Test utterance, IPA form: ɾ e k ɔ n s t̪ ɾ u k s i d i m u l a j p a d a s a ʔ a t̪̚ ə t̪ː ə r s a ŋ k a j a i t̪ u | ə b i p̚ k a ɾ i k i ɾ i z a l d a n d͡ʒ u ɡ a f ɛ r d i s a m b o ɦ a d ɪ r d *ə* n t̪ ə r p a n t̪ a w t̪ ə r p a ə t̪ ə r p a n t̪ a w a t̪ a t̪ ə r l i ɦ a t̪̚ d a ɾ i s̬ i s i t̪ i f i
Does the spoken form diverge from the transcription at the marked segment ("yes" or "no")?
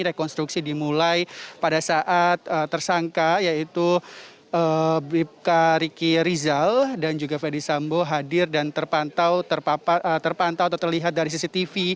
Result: yes